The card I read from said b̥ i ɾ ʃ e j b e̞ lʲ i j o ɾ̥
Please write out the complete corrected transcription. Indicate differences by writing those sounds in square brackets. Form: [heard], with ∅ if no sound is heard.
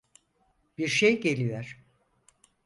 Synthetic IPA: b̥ i ɾ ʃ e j [ɟ] e̞ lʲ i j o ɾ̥

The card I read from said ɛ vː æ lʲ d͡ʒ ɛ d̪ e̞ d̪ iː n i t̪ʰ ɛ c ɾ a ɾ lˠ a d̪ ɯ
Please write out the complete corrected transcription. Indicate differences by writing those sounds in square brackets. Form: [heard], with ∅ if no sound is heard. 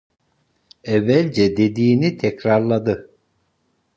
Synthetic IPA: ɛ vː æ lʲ d͡ʒ ɛ d̪ e̞ d̪ iː n i t̪ʰ ɛ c ɾ a ɾ lˠ a d̪ ɯ

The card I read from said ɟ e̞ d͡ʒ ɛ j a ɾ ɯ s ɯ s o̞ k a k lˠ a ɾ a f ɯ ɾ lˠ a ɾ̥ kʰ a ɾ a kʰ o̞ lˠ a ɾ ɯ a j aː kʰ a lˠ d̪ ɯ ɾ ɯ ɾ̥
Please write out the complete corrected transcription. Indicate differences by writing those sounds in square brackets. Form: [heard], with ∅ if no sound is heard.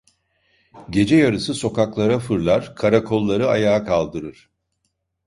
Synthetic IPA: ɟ e̞ d͡ʒ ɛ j a ɾ ɯ s ɯ s o̞ k a k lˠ a ɾ a f ɯ ɾ lˠ a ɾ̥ kʰ a ɾ a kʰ o̞ [lˠː] a ɾ ɯ a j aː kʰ a lˠ d̪ ɯ ɾ ɯ ɾ̥

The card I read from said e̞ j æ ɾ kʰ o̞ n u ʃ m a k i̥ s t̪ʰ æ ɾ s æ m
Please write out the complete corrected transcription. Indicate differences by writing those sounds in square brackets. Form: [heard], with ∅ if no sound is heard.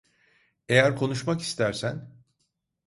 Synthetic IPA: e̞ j æ ɾ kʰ o̞ n u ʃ m a k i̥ s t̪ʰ æ ɾ s æ [n]

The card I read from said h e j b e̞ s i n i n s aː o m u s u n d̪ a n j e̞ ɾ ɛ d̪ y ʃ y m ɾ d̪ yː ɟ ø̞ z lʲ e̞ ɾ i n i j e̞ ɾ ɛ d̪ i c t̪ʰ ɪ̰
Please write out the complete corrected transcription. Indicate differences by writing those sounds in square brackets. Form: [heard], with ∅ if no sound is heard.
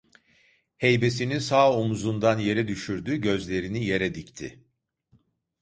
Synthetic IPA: h e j b e̞ s i n i n s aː o m u [z] u n d̪ a n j e̞ ɾ ɛ d̪ y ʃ y [∅] ɾ d̪ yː ɟ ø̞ z lʲ e̞ ɾ i n i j e̞ ɾ ɛ d̪ i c t̪ʰ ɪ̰

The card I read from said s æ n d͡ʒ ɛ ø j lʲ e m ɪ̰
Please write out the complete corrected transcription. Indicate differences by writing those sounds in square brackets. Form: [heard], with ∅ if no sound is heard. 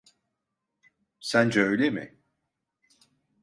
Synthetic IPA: s æ n d͡ʒ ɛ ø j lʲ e m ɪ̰

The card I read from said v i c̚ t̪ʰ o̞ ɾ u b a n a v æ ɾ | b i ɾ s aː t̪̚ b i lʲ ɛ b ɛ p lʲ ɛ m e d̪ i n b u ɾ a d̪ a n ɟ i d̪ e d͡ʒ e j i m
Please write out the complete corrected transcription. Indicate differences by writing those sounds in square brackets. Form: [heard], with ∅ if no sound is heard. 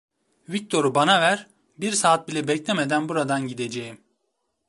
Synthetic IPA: v i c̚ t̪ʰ o̞ ɾ u b a n a v æ ɾ | b i ɾ s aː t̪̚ b i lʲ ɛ b ɛ [c] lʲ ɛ m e d̪ [æ] n b u ɾ a d̪ a n ɟ i d̪ e d͡ʒ e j i m

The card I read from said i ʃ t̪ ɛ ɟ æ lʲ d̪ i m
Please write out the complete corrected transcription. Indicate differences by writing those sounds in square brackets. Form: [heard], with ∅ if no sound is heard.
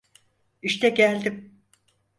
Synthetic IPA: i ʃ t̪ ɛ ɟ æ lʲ d̪ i m

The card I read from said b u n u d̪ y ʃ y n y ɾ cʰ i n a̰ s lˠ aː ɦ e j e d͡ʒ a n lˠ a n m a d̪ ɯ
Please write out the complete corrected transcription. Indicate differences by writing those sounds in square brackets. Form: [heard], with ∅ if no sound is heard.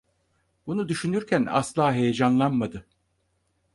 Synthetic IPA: b u n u d̪ y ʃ y n y ɾ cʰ [æ] n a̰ s lˠ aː ɦ e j e d͡ʒ a n lˠ a n m a d̪ ɯ

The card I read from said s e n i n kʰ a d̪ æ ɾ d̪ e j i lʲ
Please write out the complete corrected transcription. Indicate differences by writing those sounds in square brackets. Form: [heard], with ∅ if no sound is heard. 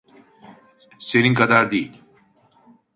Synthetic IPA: s e n i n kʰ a d̪ [a] ɾ d̪ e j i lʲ

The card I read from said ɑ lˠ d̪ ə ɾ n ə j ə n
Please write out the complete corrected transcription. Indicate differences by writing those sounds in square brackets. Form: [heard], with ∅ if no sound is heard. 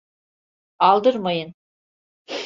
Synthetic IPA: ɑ lˠ d̪ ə ɾ [m] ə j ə n

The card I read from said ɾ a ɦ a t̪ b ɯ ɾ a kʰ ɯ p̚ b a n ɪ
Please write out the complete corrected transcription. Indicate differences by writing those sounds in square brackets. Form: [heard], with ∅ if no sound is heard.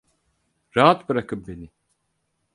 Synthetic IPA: ɾ a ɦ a t̪ b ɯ ɾ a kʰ ɯ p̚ b [e] n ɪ

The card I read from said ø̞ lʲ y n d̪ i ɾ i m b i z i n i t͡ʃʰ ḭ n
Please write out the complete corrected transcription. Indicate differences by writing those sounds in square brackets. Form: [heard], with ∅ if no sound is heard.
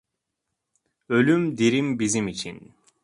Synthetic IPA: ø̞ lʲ y [m] d̪ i ɾ i m b i z i [m] i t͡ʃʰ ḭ n

